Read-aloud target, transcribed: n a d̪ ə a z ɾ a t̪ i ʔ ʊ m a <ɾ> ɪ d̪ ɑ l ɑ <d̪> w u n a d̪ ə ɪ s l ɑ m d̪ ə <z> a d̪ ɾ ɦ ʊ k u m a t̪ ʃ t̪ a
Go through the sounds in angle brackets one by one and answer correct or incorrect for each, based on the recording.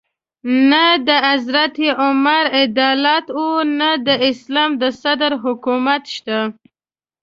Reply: correct, incorrect: t̪, incorrect: s

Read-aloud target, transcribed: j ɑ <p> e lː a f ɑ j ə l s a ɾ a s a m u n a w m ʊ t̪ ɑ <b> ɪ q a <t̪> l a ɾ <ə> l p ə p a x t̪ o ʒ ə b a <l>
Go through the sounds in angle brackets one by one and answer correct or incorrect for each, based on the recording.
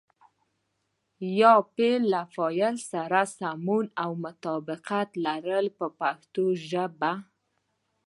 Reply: correct, correct, correct, correct, incorrect: none

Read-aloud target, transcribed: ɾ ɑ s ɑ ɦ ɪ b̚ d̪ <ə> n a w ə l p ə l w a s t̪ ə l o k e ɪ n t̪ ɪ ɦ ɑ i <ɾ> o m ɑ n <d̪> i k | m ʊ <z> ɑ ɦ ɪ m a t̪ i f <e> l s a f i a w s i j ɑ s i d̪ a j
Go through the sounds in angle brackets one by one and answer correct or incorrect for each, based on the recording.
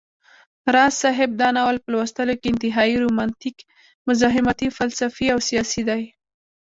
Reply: incorrect: ɑ, correct, incorrect: t̪, correct, incorrect: a

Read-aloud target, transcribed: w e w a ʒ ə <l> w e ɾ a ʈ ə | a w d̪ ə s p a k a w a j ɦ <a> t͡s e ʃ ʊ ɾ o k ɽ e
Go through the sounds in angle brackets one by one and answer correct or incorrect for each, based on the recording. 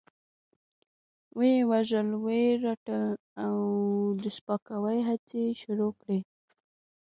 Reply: correct, correct

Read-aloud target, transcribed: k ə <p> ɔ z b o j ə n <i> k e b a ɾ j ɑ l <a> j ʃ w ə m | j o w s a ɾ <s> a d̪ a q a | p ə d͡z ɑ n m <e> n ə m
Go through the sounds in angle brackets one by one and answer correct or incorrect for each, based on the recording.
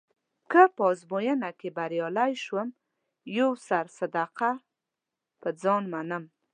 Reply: correct, incorrect: a, correct, correct, incorrect: a

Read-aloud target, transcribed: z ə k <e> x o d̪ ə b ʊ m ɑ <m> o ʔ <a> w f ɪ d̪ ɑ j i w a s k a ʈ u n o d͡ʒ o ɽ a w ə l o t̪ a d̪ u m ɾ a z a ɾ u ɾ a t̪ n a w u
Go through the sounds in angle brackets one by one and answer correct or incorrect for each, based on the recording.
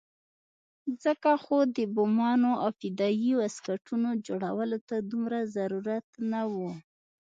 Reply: incorrect: a, incorrect: n, correct

